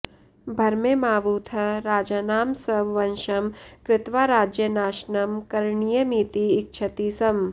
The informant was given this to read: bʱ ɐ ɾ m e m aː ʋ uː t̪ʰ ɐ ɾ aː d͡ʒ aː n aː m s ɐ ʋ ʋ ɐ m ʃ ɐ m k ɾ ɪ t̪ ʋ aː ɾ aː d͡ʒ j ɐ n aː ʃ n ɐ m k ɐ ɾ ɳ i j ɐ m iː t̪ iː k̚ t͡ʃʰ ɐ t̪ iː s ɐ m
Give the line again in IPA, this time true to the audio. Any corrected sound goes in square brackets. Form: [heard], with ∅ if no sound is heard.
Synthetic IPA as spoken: bʱ ɐ ɾ m e m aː ʋ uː t̪ʰ ɐ ɾ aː d͡ʒ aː n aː m s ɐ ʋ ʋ ɐ [n] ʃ ɐ m k ɾ ɪ t̪ ʋ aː ɾ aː d͡ʒ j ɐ n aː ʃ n ɐ m k ɐ ɾ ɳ i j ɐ m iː t̪ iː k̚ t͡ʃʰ ɐ t̪ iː s ɐ m